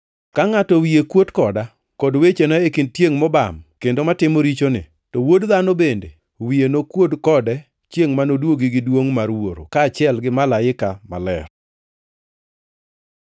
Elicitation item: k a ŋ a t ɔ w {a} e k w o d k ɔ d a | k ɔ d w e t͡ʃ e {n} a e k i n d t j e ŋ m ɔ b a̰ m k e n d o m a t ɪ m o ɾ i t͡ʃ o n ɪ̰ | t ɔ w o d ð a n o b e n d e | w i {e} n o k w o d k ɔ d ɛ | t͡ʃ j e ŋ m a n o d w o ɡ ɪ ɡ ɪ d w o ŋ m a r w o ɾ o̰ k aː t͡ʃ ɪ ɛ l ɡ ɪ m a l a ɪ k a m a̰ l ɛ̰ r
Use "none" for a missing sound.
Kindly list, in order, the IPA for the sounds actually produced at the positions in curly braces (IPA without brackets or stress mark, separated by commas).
i, n, e